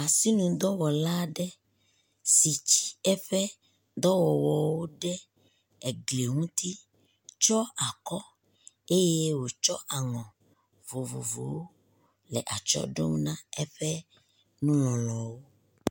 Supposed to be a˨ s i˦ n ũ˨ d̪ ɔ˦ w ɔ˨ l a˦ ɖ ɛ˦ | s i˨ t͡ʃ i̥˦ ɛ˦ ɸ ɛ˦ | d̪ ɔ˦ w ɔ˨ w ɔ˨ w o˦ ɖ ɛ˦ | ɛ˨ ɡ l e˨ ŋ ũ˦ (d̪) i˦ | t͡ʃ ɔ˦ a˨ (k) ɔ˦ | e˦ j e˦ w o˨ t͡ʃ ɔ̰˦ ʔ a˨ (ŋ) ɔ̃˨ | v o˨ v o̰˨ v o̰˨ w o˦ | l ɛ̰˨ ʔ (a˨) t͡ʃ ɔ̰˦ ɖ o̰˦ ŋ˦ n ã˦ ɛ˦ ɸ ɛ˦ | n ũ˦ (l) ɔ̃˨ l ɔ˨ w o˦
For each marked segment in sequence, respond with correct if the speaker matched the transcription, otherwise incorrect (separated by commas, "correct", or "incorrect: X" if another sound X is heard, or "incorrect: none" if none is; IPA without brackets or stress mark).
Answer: incorrect: t̪, correct, correct, correct, correct